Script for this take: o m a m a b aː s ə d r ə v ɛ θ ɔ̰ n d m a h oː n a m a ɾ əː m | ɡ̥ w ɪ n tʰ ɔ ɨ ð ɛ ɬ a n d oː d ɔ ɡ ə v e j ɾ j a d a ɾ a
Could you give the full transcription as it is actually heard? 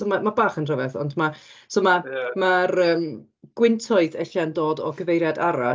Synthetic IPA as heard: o m a m a b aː χ ə n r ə v ɛ θ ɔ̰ n d m a s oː m a m a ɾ əː m | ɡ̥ w ɪ n tʰ ɔ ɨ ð ɛ ɬ a n d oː d ɔ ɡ ə v e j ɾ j a d a ɾ a